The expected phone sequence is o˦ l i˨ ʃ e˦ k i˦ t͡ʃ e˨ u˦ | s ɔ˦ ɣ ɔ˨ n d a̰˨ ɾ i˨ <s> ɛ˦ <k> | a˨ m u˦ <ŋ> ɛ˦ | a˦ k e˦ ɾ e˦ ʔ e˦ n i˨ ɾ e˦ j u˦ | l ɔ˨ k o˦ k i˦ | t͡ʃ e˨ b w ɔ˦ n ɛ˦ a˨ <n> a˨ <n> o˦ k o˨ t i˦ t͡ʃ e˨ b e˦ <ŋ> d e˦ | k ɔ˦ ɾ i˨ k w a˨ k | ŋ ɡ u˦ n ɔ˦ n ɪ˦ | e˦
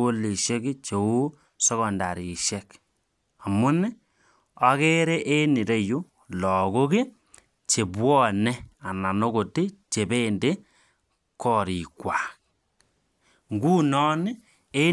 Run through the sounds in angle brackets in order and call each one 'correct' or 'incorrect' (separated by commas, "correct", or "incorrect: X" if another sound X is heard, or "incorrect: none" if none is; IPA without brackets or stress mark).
incorrect: ʃ, correct, incorrect: n, correct, correct, incorrect: n